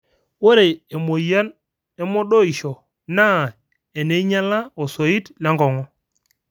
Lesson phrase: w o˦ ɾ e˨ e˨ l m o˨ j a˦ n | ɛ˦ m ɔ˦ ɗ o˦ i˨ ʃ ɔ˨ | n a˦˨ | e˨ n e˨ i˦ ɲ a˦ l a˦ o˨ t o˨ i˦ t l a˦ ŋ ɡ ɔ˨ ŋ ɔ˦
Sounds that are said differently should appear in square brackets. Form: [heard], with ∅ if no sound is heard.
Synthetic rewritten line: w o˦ ɾ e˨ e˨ [∅] m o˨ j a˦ n | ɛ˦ m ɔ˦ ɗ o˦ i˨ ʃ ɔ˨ | n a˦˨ | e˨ n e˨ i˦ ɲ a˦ l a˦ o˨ [s] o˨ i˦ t l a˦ ŋ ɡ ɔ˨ ŋ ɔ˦